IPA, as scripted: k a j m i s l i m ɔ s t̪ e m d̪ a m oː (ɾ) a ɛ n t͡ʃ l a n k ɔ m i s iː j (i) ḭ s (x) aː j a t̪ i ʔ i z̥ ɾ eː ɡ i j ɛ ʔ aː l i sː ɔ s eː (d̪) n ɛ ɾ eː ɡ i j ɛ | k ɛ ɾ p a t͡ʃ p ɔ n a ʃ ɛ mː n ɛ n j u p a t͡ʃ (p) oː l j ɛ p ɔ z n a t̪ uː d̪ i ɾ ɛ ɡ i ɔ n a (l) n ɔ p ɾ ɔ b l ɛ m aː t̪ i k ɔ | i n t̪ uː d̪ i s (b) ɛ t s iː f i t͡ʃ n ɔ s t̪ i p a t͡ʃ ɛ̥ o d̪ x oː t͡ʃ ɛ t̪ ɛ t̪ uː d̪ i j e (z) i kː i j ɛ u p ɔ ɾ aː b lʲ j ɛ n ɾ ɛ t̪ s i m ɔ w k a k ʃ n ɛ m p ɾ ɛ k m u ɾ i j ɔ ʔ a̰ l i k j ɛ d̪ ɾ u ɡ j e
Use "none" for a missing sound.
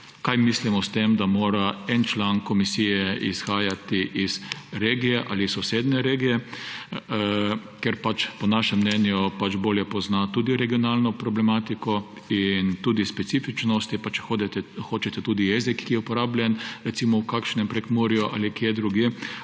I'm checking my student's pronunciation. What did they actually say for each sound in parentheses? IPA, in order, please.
ɾ, ɛ, x, d̪, b, l, p, z

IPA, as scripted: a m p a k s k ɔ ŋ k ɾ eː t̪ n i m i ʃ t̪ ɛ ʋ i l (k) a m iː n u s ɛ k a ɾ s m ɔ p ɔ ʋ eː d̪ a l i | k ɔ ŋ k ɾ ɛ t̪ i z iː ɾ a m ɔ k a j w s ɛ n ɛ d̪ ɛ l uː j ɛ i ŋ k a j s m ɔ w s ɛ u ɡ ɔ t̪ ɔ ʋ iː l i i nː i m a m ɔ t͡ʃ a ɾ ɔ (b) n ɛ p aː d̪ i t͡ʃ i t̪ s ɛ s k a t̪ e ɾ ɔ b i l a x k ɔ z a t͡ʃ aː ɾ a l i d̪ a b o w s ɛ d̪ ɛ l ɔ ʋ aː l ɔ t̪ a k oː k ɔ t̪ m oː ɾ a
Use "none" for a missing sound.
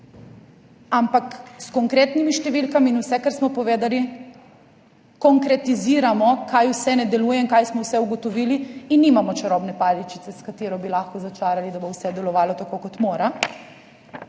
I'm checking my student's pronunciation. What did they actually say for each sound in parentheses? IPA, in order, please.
k, b

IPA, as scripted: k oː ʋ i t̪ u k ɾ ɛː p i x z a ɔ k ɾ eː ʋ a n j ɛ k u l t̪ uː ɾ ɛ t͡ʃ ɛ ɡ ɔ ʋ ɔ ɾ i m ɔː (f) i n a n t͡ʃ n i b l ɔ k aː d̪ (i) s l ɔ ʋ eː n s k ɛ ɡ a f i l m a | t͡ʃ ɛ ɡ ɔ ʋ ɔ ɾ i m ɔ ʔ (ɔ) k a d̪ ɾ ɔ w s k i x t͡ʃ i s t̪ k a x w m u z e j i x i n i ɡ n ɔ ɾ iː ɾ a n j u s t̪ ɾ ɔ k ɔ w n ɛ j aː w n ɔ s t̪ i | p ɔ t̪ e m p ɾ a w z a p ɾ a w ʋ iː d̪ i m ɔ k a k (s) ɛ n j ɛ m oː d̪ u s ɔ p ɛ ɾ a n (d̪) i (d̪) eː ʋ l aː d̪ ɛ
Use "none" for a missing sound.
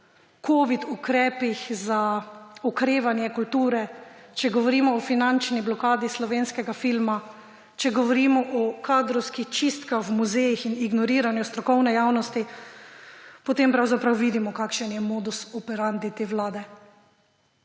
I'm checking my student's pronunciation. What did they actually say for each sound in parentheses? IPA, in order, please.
f, i, ɔ, ʃ, d̪, t̪

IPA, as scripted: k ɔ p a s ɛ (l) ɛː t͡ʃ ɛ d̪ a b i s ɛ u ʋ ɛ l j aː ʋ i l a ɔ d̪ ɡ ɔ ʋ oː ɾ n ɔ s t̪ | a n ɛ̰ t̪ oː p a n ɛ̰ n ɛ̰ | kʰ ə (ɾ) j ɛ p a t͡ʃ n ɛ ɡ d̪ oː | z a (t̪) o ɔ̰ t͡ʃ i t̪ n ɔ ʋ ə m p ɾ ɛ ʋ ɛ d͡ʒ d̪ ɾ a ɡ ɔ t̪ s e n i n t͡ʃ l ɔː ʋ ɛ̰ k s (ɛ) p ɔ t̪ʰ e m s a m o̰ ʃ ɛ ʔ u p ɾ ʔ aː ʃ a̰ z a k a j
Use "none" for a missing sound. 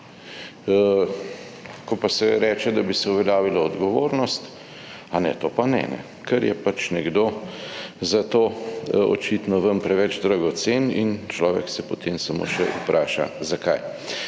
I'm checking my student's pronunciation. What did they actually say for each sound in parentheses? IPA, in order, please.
ɾ, ɾ, t̪, ɛ

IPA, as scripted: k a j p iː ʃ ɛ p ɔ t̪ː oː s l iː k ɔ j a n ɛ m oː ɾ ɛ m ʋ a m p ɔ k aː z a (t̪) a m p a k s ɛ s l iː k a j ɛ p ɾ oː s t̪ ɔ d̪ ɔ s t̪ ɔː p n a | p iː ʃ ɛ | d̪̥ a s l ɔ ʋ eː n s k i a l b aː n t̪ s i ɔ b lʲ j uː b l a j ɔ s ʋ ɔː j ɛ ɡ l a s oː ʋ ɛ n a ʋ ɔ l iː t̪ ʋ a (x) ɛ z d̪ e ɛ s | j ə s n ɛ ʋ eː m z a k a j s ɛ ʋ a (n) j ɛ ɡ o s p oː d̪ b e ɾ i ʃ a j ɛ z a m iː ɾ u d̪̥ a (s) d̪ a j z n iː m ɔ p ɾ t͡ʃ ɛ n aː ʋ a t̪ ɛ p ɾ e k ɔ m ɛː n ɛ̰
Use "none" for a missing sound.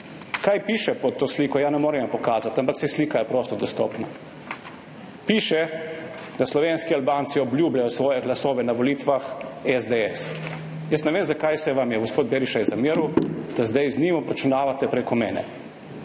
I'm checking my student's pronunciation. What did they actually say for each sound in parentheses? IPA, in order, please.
t̪, x, m, z

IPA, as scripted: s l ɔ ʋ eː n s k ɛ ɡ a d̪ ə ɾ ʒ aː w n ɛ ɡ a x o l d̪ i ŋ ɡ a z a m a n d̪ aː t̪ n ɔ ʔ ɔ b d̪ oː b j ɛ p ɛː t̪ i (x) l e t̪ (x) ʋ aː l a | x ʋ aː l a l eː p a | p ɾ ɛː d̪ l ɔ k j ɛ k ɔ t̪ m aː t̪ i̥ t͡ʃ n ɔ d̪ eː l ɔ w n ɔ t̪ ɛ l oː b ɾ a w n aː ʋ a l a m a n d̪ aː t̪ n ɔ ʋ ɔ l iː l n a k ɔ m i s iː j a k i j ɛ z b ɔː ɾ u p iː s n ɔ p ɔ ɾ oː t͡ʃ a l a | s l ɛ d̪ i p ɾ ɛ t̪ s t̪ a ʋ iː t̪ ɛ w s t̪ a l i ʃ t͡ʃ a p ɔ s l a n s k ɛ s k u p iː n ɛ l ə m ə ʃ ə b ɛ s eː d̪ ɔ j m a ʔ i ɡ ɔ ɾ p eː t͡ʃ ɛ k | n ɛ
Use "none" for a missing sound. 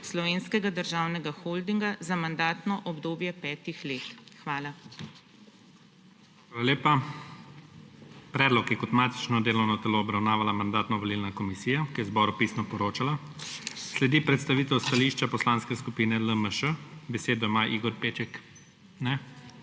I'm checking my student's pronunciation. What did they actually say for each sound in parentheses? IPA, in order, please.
x, x

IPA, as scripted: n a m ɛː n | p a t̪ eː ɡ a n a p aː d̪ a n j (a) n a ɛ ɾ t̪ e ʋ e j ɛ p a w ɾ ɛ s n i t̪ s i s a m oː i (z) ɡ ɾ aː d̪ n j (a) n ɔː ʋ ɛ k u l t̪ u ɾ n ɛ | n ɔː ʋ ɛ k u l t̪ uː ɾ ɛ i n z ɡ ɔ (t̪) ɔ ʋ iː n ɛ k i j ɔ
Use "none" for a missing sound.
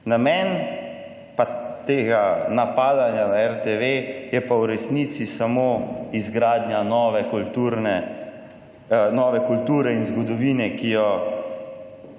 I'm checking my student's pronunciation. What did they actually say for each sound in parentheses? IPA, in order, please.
a, z, a, d̪

